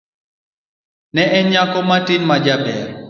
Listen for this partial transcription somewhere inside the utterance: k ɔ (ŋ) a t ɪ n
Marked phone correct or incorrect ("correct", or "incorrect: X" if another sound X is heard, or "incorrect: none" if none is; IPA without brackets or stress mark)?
incorrect: m